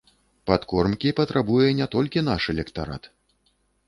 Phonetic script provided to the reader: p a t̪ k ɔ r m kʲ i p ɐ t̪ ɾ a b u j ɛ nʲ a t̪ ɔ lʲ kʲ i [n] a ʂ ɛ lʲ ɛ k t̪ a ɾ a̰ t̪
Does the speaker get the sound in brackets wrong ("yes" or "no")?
no